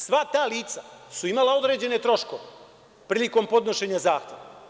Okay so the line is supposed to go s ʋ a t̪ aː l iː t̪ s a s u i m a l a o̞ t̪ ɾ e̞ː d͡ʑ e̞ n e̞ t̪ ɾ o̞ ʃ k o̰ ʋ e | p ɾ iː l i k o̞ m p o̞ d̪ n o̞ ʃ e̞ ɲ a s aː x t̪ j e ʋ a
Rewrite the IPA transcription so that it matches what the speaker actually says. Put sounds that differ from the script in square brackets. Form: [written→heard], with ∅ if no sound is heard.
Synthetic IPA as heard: s ʋ a t̪ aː l iː t̪ s a s u i m a l a o̞ [t̪→d̪] ɾ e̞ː d͡ʑ e̞ n e̞ t̪ ɾ o̞ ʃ k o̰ ʋ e | p ɾ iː l i k o̞ m p o̞ d̪ n o̞ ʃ e̞ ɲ a [s→z] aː x t̪ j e ʋ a